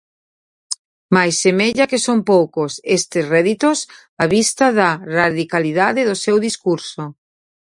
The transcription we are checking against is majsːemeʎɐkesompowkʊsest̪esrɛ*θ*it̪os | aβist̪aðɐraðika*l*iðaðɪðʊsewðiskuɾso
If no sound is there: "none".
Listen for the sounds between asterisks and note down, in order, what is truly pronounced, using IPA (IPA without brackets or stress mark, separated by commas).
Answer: ð, l